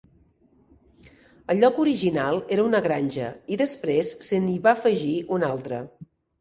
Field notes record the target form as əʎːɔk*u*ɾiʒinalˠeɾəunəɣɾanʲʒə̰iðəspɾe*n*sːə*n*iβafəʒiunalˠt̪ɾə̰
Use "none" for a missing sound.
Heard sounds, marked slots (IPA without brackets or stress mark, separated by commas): u, none, n